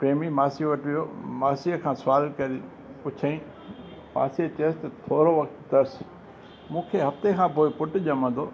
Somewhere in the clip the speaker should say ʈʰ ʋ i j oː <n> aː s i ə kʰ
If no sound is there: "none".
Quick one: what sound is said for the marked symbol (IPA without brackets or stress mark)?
m